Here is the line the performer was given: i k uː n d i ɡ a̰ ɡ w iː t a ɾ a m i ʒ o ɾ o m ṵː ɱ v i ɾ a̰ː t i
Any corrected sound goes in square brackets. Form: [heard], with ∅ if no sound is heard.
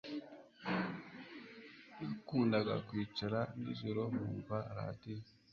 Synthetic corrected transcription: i k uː n d [a] ɡ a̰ [k] w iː [t͡ʃ] a ɾ a [n] i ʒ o ɾ o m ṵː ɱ v [a] ɾ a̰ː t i